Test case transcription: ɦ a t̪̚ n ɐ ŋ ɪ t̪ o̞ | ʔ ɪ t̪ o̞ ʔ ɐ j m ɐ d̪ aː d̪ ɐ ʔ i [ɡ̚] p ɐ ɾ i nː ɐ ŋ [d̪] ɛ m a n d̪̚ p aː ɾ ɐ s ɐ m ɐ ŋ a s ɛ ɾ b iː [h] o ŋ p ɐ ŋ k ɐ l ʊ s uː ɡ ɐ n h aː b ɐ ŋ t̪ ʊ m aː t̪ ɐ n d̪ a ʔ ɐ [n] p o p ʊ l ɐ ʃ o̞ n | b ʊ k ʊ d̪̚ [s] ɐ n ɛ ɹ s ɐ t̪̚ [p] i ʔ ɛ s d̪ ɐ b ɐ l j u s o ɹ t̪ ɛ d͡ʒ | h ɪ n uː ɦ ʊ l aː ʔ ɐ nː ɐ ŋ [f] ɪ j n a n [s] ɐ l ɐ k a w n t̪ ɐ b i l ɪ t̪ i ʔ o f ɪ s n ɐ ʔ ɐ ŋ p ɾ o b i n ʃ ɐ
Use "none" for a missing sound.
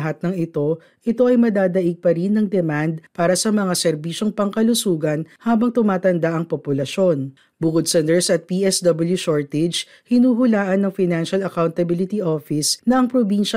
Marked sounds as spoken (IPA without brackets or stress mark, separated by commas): ɡ̚, d̪, ʃ, ŋ, s, p, f, ʃ